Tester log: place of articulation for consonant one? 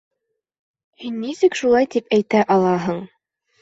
glottal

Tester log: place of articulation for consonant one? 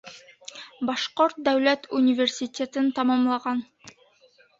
labial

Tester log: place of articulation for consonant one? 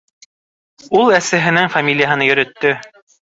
alveolar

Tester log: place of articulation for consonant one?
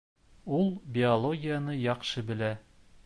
alveolar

